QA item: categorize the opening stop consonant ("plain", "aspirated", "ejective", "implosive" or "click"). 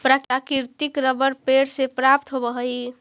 plain